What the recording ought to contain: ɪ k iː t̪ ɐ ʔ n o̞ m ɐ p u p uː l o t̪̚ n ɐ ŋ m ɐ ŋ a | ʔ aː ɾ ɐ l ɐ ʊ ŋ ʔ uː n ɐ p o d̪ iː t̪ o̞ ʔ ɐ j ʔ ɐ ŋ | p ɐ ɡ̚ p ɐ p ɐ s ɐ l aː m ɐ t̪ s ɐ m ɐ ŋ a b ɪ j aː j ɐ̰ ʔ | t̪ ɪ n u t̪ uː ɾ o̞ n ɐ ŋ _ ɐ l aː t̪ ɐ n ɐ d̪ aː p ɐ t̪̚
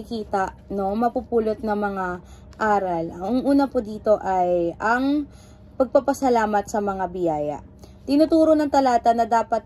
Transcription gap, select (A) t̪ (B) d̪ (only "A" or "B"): A